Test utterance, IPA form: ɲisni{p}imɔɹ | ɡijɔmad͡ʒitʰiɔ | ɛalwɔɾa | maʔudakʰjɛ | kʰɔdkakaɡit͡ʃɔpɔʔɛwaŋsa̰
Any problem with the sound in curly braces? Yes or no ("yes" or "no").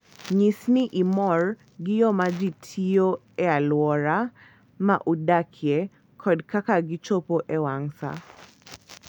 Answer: yes